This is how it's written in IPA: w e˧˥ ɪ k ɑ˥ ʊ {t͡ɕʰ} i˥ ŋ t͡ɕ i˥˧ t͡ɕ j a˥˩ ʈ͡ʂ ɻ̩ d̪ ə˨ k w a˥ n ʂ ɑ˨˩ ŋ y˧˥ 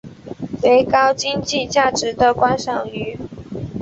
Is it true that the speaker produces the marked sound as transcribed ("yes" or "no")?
no